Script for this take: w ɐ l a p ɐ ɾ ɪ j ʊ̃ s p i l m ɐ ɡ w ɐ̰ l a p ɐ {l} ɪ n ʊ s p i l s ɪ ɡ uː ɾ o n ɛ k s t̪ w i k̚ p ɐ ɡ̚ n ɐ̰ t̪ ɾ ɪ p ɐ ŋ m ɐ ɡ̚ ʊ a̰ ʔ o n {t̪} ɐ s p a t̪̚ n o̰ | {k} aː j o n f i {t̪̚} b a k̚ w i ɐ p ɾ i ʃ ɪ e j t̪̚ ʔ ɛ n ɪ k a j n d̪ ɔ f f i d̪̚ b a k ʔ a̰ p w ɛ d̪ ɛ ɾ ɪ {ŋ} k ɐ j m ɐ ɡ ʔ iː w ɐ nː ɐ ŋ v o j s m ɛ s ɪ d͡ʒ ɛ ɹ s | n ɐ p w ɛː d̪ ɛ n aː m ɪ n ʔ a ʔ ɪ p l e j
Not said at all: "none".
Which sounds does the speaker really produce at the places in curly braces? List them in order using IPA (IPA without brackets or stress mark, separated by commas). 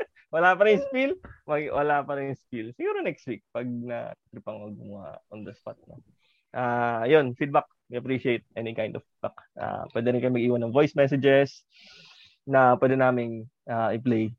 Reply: ɾ, d̪, ʔ, d̪̚, n